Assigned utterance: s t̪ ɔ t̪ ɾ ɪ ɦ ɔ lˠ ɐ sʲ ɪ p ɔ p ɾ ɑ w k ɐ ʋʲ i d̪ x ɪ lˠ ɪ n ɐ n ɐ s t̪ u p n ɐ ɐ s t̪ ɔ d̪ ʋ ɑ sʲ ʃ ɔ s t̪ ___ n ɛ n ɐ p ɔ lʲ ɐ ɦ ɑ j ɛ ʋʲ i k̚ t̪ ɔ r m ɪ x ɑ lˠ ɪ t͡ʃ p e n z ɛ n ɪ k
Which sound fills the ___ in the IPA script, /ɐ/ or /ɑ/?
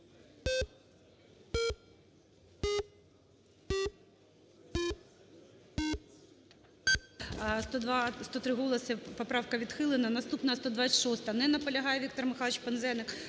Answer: ɐ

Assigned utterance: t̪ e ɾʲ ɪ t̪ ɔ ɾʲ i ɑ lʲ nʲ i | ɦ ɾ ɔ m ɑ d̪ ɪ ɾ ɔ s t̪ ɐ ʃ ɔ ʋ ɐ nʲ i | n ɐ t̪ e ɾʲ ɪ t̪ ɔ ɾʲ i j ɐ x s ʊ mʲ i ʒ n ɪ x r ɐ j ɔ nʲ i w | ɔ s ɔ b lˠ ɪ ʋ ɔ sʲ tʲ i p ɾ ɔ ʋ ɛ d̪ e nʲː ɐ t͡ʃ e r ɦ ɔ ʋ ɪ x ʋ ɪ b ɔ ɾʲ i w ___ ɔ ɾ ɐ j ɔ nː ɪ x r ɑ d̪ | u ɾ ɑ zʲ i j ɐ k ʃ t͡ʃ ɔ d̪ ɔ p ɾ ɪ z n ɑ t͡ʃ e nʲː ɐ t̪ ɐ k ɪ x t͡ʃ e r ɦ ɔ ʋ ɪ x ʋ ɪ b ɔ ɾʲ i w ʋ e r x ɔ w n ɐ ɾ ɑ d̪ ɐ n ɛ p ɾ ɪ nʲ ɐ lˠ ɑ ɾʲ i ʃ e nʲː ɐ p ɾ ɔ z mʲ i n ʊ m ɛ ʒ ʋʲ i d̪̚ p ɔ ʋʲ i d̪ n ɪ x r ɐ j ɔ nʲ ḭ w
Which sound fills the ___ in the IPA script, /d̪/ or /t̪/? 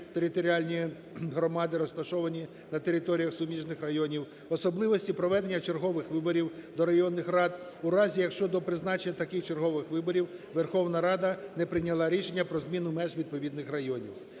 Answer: d̪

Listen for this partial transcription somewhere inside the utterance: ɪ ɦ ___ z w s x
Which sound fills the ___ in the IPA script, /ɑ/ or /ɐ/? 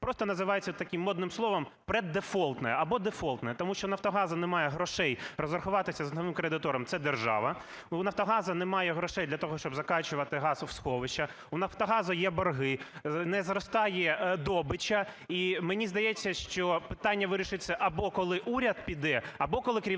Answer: ɑ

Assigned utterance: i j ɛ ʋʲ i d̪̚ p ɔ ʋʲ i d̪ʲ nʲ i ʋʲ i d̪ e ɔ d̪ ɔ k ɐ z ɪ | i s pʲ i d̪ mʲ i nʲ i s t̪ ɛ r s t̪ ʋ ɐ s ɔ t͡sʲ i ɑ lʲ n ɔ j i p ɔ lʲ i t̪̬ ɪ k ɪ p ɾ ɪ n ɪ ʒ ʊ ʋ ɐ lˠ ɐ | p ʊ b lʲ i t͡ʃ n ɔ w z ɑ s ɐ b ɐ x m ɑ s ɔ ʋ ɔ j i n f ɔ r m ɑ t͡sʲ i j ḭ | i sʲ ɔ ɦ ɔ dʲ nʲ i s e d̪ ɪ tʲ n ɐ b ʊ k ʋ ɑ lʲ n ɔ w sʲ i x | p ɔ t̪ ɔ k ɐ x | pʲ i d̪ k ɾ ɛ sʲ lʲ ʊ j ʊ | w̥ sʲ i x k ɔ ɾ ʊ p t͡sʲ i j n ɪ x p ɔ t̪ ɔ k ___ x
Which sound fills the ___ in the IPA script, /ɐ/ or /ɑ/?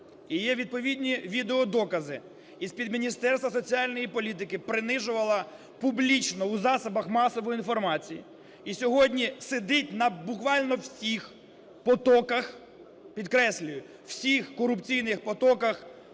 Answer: ɐ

